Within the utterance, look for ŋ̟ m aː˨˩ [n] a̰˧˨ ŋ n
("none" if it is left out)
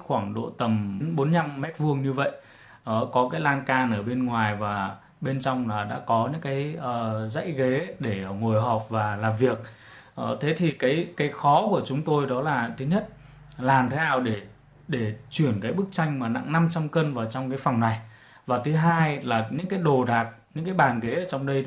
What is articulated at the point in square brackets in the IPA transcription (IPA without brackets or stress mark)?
n